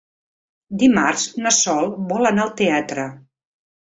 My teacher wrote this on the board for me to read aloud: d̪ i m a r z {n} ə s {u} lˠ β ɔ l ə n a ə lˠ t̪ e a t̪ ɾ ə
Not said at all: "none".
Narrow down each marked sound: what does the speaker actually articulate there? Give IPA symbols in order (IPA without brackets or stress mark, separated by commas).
n, ɔ